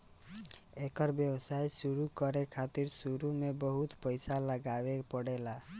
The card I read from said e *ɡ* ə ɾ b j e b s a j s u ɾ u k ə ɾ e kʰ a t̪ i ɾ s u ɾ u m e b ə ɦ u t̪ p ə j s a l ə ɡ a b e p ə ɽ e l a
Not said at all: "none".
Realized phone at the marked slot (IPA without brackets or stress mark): k